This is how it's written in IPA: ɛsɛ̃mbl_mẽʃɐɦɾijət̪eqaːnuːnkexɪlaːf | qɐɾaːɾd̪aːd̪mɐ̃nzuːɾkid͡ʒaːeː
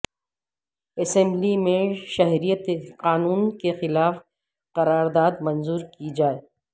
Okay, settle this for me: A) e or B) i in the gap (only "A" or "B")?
B